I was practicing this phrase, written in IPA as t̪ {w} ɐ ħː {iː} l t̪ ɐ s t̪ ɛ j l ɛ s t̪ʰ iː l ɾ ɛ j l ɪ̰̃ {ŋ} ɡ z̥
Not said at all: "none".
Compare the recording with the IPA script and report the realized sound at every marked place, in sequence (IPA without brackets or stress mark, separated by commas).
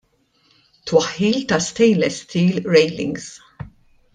w, iː, ŋ